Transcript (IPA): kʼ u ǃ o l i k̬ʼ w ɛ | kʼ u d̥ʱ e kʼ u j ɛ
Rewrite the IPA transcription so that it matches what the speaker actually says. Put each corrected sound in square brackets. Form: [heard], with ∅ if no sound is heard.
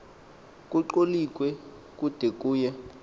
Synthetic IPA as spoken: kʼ u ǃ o l i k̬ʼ w ɛ | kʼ u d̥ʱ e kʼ [uː] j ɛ